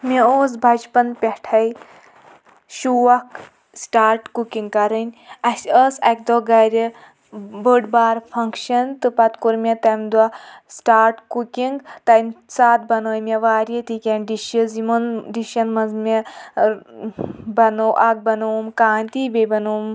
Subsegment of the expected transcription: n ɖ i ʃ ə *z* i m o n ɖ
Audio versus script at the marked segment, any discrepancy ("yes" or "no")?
no